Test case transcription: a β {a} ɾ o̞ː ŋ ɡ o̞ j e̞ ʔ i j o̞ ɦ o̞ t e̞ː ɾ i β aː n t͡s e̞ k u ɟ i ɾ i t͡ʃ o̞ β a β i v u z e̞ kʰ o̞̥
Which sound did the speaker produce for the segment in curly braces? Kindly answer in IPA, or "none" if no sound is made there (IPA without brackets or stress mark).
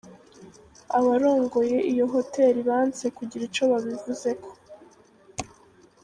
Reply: a